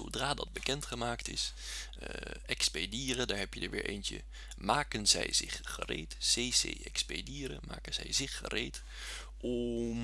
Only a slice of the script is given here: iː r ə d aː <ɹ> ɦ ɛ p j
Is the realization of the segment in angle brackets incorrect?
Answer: no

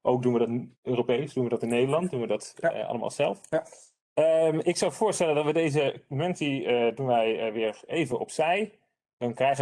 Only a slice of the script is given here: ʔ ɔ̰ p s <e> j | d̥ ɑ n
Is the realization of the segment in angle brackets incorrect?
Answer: yes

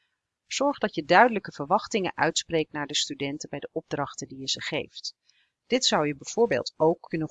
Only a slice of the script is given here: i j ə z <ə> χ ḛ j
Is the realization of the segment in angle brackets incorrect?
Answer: no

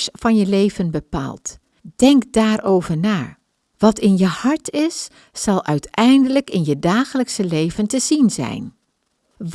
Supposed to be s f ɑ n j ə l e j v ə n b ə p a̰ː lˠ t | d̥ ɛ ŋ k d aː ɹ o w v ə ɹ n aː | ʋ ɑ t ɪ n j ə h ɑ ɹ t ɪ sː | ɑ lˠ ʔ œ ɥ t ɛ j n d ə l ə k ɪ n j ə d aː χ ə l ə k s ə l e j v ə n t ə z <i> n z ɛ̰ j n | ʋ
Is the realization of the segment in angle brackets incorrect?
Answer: no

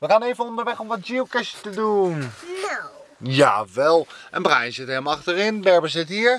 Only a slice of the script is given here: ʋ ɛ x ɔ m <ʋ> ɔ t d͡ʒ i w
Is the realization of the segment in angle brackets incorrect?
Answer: no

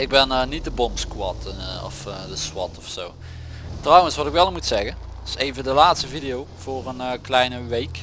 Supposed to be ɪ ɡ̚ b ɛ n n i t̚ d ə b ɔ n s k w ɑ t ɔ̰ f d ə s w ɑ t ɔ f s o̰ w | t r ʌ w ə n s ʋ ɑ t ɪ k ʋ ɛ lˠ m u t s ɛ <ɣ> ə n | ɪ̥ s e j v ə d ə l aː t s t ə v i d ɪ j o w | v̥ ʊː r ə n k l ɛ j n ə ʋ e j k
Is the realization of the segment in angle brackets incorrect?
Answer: no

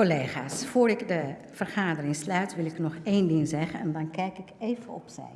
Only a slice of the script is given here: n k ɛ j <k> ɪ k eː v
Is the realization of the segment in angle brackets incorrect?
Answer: no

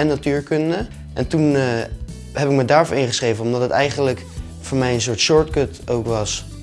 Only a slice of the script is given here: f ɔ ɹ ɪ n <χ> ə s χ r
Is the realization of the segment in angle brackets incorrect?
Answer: no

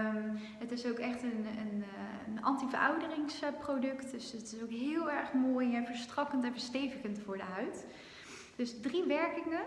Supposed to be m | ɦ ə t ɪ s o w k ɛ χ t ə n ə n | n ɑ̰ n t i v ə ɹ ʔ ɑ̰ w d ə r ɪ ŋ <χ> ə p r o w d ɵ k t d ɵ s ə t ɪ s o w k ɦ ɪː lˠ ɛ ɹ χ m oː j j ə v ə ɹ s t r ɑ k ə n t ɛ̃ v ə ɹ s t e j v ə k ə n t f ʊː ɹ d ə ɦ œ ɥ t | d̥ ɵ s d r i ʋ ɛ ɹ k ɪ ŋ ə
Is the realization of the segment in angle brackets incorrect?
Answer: yes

